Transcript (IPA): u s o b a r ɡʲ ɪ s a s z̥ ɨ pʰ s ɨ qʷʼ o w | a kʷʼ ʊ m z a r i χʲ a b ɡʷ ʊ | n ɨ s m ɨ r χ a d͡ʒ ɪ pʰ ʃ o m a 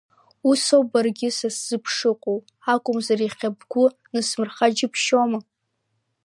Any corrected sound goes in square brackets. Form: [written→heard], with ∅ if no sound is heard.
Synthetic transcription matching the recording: u s o b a r ɡʲ ɪ s a s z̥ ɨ pʰ [s→ʂ] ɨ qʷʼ o w | a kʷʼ ʊ m z a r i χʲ a b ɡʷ ʊ | n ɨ s m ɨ r χ a d͡ʒ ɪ pʰ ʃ o m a